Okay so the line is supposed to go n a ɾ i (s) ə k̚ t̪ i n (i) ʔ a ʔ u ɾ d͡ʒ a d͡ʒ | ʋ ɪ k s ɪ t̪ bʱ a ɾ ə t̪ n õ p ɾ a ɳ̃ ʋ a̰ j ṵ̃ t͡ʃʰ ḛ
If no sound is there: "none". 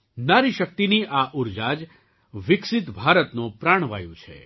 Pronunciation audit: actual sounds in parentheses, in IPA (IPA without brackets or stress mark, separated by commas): ʃ, i